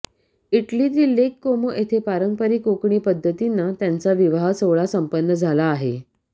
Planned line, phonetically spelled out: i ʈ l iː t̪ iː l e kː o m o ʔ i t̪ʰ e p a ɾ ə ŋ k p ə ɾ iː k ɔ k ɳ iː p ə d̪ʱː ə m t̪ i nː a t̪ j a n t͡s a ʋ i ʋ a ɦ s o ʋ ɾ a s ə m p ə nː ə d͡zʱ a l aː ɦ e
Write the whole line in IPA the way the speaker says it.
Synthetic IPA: i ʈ l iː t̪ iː l e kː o m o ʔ e t̪ʰ e p a ɾ ə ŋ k p ə ɾ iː k o k ɳ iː p ə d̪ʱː ə t̪ i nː a t̪ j a n t͡s a ʋ i ʋ a ɦ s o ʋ ɭ a s ə m p ə nː ə d͡zʱ a l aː ɦ e